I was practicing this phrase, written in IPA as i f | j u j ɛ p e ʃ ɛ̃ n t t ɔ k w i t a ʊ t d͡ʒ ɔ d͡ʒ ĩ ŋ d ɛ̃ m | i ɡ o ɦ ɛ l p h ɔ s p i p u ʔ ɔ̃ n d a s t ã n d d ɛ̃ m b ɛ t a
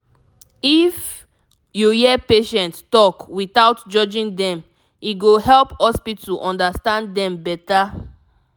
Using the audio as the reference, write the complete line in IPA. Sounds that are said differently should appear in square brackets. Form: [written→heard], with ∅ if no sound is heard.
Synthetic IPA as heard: i f | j u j ɛ p e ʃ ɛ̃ n t t ɔ k w i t a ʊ t d͡ʒ ɔ d͡ʒ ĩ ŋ d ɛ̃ m | i ɡ o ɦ ɛ l p h ɔ s p i [p→t] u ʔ ɔ̃ n d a s t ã n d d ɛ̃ m b ɛ t a